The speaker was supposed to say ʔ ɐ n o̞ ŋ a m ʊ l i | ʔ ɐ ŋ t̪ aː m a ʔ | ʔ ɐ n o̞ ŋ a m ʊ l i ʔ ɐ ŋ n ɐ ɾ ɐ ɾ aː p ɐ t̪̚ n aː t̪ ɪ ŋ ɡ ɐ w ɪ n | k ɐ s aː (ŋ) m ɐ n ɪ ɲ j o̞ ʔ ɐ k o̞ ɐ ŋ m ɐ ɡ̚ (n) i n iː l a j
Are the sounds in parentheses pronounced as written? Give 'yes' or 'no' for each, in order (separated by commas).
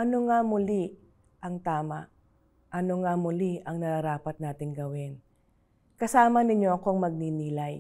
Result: no, yes